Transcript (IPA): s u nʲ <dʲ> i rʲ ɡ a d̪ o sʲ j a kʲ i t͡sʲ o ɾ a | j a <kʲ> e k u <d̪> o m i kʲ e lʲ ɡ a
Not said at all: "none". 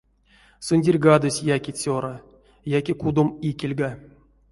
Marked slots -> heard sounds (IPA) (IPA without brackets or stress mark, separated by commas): dʲ, kʲ, d̪